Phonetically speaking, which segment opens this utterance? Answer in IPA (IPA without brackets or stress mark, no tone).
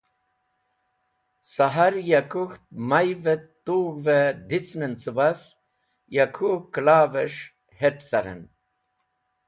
s